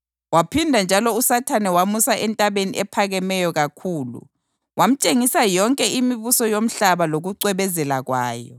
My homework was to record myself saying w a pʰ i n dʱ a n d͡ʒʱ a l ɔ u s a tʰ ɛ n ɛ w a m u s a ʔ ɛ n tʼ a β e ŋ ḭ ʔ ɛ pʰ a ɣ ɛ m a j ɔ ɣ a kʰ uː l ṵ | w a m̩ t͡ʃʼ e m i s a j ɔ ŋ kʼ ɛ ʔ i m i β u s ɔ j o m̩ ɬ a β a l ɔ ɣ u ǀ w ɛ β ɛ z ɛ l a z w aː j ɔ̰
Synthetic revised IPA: w a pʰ i n dʱ a n d͡ʒʱ a l ɔ u s a tʰ a n ɛ w a m u s a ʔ ɛ n tʼ a β e n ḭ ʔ ɛ pʰ a ɣ ɛ m ɛ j ɔ ɣ a kʰ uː l ṵ | w a m̩ t͡ʃʼ e ŋ i s a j ɔ ŋ kʼ ɛ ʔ i m i β u s ɔ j o m̩ ɬ a β a l o ɣ u ǀ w ɛ β ɛ z ɛ l a ɣ w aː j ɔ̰

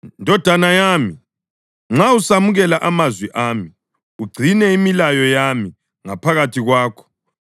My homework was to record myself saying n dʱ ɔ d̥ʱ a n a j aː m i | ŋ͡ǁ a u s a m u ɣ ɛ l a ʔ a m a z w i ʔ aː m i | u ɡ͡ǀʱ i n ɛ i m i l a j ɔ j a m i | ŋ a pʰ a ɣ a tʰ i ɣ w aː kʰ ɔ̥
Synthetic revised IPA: n dʱ ɔ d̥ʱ a n a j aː m i | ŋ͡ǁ a u s a m u ɣ ɛ l a ʔ a m a z w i ʔ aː m i | u ɡ͡ǀʱ i n ɛ i m i l a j ɔ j a m i | ŋ a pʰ a ɣ a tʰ i ɣ w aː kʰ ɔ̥

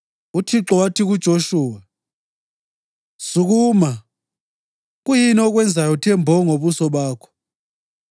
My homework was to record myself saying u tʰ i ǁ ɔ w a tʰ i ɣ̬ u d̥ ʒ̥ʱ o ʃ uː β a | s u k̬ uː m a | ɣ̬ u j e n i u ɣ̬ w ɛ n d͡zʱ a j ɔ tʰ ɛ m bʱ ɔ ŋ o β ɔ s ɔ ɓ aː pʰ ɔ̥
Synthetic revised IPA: u tʰ i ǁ ɔ w a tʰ i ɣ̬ u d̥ ʒ̥ʱ o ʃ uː w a | s u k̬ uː m a | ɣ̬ u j i n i ɔ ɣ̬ w ɛ n d͡zʱ a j ɔ tʰ ɛ m bʱ ɔ ŋ o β u s ɔ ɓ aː kʰ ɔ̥

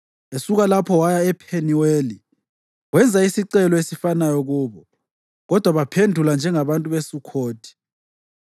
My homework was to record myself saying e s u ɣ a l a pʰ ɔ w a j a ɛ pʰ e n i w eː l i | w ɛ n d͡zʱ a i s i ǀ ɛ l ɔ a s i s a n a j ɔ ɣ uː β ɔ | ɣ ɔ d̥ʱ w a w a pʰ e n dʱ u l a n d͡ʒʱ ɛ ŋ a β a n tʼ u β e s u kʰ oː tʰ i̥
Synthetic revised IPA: e s u ɣ a l a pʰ ɔ w a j a ɛ pʰ e n i w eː l i | w ɛ n d͡zʱ a i s i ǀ ɛ l ɔ e s i f a n a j ɔ ɣ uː β ɔ | ɣ ɔ d̥ʱ w a β a pʰ e n dʱ u l a n d͡ʒʱ ɛ ŋ a β a n tʼ u β e s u kʰ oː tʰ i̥

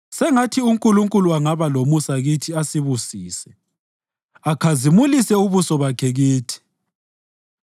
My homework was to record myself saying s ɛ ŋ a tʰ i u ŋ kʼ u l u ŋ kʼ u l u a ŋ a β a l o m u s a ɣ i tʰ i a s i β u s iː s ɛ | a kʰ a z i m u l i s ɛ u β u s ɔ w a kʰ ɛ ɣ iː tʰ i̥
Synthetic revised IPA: s ɛ ŋ a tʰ i u ŋ kʼ u l u ŋ kʼ u l u a ŋ a β a l o m u s a ɣ i tʰ i a s i β u s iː s ɛ | a kʰ a z i m u l i s ɛ u β u s ɔ β a kʰ ɛ ɣ iː tʰ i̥

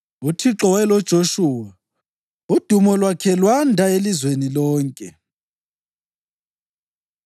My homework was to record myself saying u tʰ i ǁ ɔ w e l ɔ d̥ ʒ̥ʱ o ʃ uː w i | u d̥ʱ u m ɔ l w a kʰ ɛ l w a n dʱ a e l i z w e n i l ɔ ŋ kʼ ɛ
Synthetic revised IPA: u tʰ i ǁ ɔ w ɛ l ɔ d̥ ʒ̥ʱ o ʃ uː w a | u d̥ʱ u m ɔ l w a kʰ ɛ l w a n dʱ a e l i z w e n i l ɔː ŋ kʼ ɛ

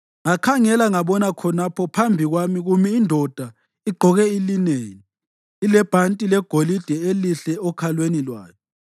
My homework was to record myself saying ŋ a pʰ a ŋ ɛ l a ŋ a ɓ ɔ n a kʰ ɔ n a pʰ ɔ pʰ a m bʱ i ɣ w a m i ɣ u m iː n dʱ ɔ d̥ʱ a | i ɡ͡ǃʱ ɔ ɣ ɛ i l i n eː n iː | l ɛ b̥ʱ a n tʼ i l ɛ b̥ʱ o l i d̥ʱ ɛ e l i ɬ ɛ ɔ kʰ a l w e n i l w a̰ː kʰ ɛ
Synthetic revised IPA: ŋ a kʰ a ŋ ɛ l a ŋ a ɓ ɔ n a kʰ ɔ n a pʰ ɔ pʰ a m bʱ i ɣ w a m i ɣ u m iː n dʱ ɔ d̥ʱ a | i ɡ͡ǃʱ ɔ ɣ ɛ i l i n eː n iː | l ɛ b̥ʱ a n tʼ i l ɛ ɡ̥ʱ o l i d̥ʱ ɛ e l i ɬ ɛ ɔ kʰ a l w e n i l w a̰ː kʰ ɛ

